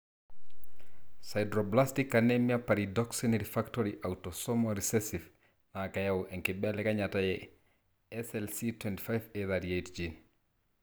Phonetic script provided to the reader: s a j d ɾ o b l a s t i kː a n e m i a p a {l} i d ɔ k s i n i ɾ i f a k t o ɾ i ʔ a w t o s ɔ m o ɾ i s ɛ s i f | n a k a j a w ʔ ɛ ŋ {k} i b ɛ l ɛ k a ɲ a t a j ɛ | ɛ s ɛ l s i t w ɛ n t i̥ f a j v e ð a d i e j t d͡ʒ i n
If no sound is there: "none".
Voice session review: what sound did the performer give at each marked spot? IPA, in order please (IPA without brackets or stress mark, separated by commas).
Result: ɾ, k